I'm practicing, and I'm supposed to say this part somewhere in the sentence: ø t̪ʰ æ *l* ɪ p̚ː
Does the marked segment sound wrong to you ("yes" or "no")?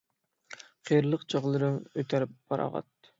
yes